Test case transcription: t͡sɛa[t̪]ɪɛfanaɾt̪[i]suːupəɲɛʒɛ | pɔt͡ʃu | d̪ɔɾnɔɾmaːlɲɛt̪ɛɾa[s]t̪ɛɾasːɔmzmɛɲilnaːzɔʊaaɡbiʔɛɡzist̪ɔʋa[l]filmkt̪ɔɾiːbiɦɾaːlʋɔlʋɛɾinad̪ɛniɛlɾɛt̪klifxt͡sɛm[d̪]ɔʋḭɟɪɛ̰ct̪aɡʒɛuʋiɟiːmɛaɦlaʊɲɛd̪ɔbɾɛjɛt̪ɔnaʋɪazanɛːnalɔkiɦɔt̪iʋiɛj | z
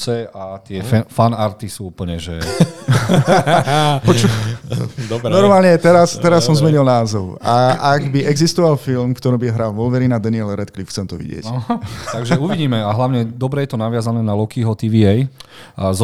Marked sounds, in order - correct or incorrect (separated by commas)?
correct, correct, correct, correct, incorrect